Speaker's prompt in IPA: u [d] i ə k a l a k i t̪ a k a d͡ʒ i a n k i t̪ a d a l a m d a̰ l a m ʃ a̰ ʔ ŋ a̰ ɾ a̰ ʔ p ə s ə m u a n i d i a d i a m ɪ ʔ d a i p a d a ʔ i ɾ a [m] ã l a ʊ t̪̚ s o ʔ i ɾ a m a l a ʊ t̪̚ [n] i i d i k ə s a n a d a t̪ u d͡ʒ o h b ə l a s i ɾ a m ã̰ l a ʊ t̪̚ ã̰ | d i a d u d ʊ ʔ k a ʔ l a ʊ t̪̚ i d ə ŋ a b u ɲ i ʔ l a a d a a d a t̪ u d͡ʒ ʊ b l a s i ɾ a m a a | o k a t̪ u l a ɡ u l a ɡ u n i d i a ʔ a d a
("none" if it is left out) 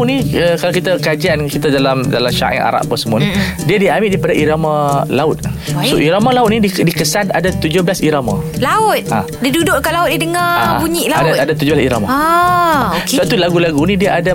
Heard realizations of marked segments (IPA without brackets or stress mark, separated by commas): n, m, n